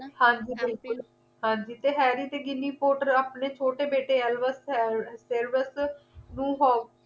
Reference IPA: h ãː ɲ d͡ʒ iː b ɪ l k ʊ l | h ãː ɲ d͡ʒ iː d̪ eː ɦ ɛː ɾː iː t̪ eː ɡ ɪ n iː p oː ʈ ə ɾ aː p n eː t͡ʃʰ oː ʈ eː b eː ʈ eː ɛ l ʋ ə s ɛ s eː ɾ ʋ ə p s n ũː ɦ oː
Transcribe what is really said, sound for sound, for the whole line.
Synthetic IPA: h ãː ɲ d͡ʒ iː b ɪ l k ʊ l | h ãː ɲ d͡ʒ iː t̪ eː ɦ ɛː ɾ iː t̪ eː ɡ ɪ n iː p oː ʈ ə ɾ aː p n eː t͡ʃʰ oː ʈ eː b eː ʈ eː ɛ l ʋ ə s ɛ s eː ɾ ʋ ə s n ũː ɦ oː